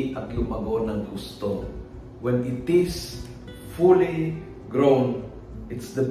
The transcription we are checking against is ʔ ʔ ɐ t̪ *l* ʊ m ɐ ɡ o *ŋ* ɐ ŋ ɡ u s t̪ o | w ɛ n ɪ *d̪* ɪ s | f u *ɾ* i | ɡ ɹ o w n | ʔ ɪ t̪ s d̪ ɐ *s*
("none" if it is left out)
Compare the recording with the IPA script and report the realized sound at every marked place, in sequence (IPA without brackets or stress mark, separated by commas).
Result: l, n, t̪, l, none